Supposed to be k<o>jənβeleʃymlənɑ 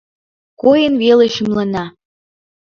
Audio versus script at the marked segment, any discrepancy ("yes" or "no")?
no